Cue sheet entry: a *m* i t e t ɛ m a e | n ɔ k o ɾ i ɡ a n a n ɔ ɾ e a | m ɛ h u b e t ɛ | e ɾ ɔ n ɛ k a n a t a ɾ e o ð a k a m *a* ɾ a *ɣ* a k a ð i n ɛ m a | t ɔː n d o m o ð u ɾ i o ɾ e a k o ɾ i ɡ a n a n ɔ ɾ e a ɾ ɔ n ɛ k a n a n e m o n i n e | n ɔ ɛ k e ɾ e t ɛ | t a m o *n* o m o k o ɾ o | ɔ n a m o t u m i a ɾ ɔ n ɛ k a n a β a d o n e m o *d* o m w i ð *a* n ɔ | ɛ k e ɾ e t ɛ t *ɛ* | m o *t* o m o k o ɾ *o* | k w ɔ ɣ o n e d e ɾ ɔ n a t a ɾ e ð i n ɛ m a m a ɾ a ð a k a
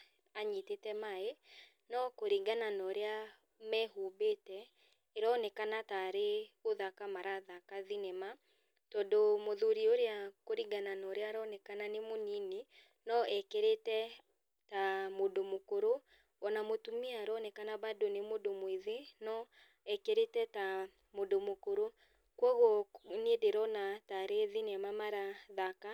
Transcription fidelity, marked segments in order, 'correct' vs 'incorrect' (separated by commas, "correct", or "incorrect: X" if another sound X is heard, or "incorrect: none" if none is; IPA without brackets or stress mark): incorrect: ɲ, correct, incorrect: ð, incorrect: d, correct, incorrect: e, incorrect: a, incorrect: d, correct